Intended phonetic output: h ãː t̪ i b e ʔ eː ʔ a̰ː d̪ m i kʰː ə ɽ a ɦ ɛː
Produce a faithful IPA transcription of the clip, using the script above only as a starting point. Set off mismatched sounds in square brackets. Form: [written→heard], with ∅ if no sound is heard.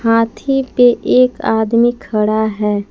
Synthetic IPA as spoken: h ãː [t̪→t̪ʰ] i [b→p] e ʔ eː [ʔ→k] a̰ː d̪ m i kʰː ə ɽ a ɦ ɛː